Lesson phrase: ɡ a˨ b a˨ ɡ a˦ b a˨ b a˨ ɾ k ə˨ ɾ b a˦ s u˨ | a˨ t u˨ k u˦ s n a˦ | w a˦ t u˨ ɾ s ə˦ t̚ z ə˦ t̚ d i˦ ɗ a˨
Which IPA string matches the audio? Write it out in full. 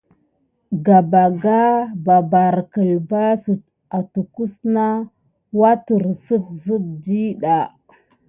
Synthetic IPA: ɡ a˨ b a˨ ɡ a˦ b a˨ b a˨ ɾ k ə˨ l b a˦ s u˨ | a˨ t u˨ k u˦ s n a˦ | w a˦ t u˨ ɾ s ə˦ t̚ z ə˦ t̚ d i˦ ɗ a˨